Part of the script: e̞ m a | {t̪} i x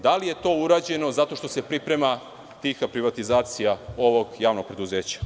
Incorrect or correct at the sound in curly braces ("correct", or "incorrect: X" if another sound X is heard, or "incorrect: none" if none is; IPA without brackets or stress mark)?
correct